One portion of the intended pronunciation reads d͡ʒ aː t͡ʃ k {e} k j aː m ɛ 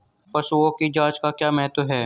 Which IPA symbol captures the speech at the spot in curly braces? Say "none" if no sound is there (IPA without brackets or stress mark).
a